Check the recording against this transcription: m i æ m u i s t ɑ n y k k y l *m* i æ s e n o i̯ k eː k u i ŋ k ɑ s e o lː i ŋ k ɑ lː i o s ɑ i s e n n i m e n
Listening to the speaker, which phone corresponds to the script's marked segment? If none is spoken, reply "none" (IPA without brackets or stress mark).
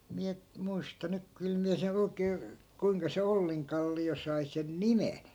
m